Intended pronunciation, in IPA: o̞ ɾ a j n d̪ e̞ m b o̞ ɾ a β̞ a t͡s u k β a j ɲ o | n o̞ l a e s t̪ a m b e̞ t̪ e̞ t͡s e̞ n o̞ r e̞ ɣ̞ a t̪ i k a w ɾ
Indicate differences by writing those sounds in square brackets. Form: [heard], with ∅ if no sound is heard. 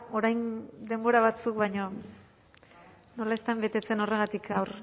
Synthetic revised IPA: o̞ ɾ a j n d̪ e̞ m b o̞ ɾ a β̞ a t͡s u k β a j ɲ o | n o̞ l a e s t̪ a m b e̞ t̪ e̞ t͡s e̞ n o̞ r e̞ ɣ̞ a t̪ i k a w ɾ